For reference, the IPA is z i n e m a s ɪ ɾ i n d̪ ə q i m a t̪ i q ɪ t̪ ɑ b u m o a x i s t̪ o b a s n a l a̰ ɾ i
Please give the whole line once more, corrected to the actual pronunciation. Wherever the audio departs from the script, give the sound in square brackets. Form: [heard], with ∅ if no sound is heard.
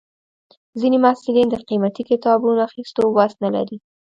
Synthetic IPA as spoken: z i n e m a s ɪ [l] i n d̪ ə q i m a t̪ i [k] ɪ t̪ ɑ b u [n] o a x i s t̪ o [w] a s n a l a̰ ɾ i